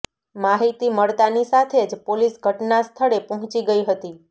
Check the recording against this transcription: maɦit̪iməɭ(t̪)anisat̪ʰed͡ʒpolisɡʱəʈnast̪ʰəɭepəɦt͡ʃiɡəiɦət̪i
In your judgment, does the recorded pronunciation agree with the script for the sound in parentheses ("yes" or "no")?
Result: yes